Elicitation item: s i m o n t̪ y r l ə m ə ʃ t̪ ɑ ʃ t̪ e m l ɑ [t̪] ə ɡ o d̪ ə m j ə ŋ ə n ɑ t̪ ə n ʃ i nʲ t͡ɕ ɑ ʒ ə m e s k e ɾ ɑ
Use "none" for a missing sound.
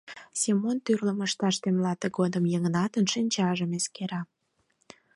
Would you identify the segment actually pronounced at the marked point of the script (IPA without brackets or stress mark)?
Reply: t̪